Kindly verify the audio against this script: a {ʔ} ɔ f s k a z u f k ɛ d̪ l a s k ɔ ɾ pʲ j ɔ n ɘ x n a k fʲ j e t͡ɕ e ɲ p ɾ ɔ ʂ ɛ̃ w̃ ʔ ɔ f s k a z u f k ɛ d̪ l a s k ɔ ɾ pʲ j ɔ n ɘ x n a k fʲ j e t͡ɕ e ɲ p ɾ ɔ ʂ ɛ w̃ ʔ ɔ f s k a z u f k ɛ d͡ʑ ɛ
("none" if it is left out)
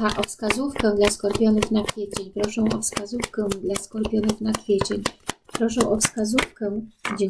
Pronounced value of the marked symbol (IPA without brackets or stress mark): ʔ